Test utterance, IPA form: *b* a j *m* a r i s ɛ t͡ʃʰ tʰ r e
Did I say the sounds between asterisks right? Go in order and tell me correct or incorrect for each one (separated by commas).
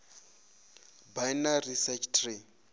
correct, incorrect